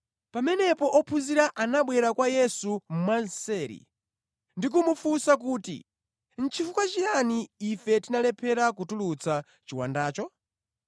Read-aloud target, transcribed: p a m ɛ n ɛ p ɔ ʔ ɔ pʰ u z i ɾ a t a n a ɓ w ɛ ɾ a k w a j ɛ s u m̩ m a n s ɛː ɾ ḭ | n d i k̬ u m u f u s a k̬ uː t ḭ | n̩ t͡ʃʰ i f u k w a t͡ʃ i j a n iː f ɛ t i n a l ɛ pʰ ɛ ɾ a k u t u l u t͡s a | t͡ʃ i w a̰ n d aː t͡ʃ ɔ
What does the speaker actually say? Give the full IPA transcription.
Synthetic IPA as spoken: p a m ɛ n ɛ p ɔ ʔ ɔ pʰ u z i ɾ a ʔ a n a ɓ w ɛ ɾ a k w a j ɛ s u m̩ m a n s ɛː ɾ ḭ | n d i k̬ u m u f u s a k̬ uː t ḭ | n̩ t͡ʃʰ i f u k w a t͡ʃ i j a n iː f ɛ t i n a l ɛ pʰ ɛ ɾ a k u t u l u t͡s a | t͡ʃ i w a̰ n d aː t͡ʃ ɔ